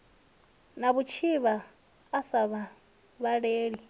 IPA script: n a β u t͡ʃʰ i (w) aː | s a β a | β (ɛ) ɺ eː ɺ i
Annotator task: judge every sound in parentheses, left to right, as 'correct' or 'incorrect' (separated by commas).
incorrect, incorrect